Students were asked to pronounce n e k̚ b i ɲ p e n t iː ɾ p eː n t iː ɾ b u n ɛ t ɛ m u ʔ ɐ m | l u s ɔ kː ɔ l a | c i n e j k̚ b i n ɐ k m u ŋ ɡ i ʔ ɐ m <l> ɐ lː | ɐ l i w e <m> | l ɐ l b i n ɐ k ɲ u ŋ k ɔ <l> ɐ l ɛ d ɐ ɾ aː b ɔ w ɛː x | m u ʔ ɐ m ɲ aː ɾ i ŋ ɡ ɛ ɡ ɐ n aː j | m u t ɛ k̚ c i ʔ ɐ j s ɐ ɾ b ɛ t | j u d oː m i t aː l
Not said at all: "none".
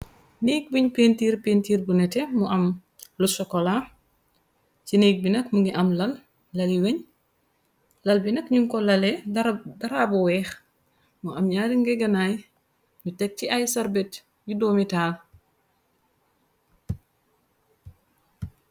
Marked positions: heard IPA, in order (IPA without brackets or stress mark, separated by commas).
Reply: l, ɲ, l